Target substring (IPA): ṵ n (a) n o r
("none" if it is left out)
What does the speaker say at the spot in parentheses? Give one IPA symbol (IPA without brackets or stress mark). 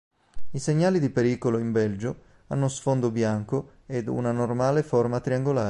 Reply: a